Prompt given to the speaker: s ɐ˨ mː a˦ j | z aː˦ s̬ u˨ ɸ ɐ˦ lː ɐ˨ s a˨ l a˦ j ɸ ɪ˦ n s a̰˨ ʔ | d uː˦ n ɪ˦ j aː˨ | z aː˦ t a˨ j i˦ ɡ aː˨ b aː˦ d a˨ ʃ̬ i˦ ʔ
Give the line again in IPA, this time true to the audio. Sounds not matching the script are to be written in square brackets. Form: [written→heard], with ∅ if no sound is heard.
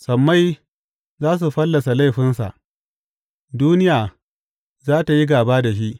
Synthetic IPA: s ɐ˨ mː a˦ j | z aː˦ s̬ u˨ ɸ ɐ˦ lː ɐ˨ s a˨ l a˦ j ɸ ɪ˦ n s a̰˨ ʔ | d uː˦ n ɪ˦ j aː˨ | z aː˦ t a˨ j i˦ ɡ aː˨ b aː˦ d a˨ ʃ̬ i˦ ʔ